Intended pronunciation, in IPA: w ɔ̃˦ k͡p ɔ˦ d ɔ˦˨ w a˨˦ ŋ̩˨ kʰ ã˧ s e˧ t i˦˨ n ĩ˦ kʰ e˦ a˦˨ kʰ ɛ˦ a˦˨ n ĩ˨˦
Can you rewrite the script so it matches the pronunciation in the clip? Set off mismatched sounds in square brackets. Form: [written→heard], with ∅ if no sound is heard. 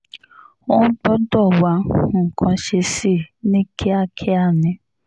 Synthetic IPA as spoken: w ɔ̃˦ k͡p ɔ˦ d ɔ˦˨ w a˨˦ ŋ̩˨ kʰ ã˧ [s→ʃ] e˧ [t→s] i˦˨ n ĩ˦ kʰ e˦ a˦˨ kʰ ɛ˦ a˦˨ n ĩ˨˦